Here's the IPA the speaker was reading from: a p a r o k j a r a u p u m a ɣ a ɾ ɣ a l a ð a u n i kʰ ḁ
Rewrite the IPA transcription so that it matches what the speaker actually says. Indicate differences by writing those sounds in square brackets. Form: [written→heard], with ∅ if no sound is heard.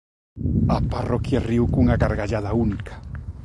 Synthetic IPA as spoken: a p a r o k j a r [a→i] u [p→k] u [m→ŋ] a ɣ a ɾ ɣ a [l→ʎ] a ð a u n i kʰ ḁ

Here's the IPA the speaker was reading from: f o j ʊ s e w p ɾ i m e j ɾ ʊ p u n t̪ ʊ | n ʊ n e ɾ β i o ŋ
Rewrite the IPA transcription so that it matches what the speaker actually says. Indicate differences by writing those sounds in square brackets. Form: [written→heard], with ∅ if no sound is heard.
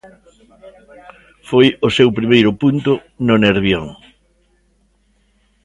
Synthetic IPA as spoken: f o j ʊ s e w p ɾ i m e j ɾ ʊ p u n t̪ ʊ | n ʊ n e ɾ β [i→j] o ŋ

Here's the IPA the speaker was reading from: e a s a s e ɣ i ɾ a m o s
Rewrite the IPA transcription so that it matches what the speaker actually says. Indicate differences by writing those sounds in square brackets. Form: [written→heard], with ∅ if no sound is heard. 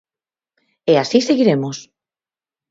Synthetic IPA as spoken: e a s [a→i] s e ɣ i ɾ [a→e] m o s

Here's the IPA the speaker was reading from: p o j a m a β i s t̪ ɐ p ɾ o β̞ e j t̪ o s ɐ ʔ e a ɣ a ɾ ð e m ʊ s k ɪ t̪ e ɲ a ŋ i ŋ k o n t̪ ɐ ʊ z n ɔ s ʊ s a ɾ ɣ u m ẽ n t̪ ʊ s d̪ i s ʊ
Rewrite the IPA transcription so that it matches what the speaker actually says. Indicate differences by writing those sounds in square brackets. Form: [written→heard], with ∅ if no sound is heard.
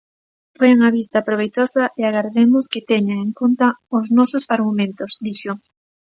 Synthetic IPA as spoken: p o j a [m→ŋ] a β i s t̪ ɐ p ɾ o β̞ e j t̪ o s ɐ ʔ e a ɣ a ɾ ð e m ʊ s k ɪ t̪ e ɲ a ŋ [i→e] ŋ k o n t̪ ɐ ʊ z n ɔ s ʊ s a ɾ ɣ u m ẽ n t̪ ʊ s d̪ i [s→ʃ] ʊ

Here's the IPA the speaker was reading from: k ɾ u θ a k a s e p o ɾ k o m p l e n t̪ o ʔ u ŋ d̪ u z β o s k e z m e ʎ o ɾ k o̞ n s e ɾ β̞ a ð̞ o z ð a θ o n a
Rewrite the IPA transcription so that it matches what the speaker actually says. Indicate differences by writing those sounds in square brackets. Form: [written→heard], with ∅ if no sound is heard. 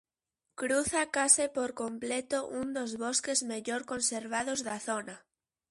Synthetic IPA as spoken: k ɾ u θ a k a s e p o ɾ k o m p l e [n→∅] t̪ o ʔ u [ŋ→n] d̪ [u→o] z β o s k e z m e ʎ o ɾ k o̞ n s e ɾ β̞ a ð̞ o z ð a θ o n a

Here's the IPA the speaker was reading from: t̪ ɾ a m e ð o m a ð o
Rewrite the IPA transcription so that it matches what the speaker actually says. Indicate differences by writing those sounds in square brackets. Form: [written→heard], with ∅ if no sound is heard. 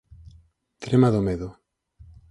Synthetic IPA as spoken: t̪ ɾ [a→e] m [e→a] ð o m [a→e] ð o

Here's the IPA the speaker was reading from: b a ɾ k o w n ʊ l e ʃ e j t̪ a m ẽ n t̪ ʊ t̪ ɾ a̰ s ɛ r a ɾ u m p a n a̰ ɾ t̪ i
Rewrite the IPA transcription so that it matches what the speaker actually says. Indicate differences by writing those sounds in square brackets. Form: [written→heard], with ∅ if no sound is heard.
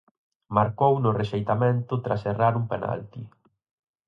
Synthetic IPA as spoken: [b→m] a ɾ k o w n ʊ [l→r] e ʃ e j t̪ a m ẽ n t̪ ʊ t̪ ɾ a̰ s [ɛ→e] r a ɾ u m p [a→e] n a̰ [ɾ→l] t̪ i

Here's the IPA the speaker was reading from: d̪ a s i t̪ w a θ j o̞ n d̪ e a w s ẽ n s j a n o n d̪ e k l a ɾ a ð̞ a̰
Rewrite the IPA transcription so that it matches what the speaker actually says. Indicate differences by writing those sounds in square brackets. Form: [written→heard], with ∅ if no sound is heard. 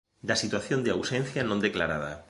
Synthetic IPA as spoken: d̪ a s i t̪ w a θ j o̞ n d̪ e a w s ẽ n [s→θ] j a n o n d̪ e k l a ɾ a ð̞ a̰

